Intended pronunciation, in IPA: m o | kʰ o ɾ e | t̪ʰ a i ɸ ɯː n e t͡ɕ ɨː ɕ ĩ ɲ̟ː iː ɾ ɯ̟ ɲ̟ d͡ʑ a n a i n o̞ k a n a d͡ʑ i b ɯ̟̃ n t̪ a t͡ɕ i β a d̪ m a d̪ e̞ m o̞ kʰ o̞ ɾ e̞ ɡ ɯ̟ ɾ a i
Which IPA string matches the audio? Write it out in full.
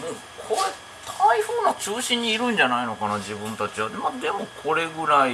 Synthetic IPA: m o | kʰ o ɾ e | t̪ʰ a i ɸ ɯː n a t͡ɕ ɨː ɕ ĩ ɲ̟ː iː ɾ ɯ̟̃ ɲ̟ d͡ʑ a n a i n o̞ k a n a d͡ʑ i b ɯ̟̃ n t̪ a t͡ɕ i β a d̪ m a d̪ e̞ m o̞ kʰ o̞ ɾ e̞ ɡ ɯ̟ ɾ a i